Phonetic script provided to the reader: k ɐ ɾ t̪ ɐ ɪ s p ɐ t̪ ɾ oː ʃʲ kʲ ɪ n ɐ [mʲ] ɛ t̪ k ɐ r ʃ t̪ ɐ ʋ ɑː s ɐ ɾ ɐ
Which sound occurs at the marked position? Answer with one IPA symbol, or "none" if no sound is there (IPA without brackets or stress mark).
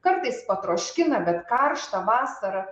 bʲ